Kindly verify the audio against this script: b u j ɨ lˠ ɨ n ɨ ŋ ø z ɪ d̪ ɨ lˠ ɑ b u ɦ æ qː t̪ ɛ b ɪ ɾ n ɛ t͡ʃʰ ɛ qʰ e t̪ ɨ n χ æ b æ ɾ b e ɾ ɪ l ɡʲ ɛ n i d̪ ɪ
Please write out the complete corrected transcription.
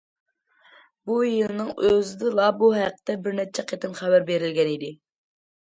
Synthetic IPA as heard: b u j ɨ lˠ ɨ n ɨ ŋ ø z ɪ d̪ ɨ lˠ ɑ b u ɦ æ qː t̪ ɛ b ɪ ɾ n ɛ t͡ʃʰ ɛ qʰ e t̪ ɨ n χ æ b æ ɾ b e ɾ ɪ l ɡʲ ɛ n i d̪ ɪ